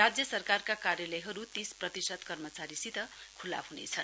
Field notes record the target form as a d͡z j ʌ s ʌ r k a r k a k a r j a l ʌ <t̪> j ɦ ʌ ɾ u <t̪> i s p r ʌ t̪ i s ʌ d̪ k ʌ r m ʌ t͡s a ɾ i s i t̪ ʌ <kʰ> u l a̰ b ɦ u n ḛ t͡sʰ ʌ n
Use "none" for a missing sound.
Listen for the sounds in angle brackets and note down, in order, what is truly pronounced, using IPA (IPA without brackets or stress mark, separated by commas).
none, t̪, kʰ